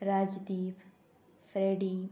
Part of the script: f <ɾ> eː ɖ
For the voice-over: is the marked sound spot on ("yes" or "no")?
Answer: yes